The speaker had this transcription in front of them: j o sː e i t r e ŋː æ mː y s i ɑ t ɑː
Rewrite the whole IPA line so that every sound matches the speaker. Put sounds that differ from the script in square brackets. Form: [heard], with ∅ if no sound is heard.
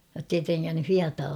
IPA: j o [tː] e i t r e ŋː æ [nː] y [h] i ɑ t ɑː